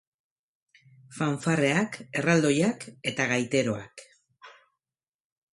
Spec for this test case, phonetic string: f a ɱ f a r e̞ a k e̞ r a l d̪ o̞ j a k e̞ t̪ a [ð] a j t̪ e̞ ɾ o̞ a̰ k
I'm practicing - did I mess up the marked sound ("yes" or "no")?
yes